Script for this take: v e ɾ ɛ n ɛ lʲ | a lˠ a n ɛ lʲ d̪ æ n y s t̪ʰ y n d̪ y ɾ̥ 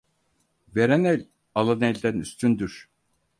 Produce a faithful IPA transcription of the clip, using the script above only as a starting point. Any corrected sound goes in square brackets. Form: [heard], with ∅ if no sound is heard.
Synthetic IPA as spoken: v e ɾ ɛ n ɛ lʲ | a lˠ a n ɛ lʲ d̪ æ n y s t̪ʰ y n d̪ y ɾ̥